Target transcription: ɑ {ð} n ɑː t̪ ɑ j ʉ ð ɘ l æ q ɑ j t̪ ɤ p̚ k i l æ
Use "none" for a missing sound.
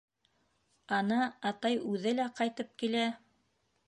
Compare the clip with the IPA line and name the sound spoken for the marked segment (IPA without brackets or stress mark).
none